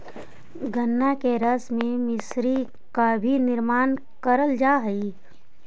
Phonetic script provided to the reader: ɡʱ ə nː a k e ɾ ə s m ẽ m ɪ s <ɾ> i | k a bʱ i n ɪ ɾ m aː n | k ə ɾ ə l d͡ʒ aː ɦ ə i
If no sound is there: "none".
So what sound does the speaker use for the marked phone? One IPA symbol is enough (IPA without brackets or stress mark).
ɾ